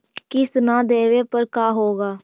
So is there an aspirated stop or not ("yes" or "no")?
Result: no